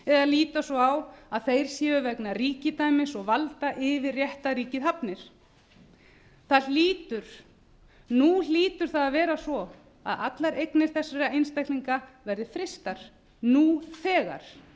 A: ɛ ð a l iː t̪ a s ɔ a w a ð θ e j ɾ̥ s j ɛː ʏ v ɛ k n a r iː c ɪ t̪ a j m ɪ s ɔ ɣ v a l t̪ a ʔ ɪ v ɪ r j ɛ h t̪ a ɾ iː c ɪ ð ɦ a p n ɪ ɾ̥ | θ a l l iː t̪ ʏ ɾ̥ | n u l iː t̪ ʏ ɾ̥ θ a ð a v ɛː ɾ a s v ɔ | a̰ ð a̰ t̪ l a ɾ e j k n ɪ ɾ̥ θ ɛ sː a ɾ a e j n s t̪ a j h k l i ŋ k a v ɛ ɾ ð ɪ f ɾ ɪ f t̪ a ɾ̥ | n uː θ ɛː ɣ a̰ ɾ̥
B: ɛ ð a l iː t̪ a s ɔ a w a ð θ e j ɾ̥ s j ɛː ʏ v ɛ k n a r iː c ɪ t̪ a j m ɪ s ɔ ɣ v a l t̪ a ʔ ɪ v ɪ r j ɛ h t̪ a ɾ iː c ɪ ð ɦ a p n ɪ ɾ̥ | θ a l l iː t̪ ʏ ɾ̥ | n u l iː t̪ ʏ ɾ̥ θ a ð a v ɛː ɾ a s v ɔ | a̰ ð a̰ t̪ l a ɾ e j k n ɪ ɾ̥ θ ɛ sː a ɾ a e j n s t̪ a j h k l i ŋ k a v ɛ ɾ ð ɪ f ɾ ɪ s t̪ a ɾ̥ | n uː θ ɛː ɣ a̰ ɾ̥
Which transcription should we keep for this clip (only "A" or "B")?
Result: B